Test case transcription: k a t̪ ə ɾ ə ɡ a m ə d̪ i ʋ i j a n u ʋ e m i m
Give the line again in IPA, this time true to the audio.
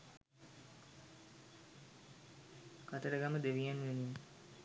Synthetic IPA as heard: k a t̪ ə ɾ ə ɡ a m ə d̪ e ʋ i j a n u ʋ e n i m